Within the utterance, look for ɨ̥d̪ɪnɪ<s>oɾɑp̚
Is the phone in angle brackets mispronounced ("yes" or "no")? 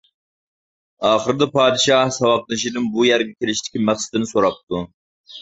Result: no